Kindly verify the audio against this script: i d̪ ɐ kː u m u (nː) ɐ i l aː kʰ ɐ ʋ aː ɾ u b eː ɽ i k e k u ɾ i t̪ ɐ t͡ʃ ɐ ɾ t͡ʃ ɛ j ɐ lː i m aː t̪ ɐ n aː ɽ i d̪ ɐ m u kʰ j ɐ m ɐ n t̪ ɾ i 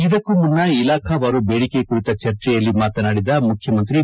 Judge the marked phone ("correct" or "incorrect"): correct